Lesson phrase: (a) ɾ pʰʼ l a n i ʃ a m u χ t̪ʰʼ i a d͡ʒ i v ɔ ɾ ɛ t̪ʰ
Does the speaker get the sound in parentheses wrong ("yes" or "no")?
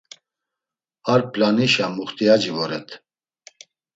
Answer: no